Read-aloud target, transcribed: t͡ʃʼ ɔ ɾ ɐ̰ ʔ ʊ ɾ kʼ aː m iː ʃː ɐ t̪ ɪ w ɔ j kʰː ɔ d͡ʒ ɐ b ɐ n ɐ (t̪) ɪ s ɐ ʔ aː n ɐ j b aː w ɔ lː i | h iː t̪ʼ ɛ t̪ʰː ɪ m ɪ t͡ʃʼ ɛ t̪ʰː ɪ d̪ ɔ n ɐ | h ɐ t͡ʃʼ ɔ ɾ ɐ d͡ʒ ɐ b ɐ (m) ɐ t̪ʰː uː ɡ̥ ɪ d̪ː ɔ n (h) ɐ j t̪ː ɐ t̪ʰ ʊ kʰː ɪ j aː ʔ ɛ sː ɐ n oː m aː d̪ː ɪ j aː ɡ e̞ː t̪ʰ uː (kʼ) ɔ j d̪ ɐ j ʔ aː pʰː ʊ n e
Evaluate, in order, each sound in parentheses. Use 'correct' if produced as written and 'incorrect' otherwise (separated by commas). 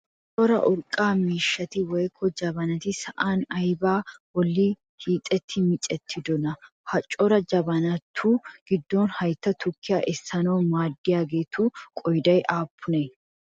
correct, incorrect, correct, correct